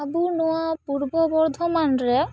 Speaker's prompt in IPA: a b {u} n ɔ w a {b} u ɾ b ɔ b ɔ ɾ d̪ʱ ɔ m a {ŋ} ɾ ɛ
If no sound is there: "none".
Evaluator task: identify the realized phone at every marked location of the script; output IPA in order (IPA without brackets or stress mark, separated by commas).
u, p, n